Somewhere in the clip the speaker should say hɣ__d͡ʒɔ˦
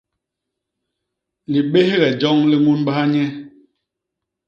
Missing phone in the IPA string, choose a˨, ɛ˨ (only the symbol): ɛ˨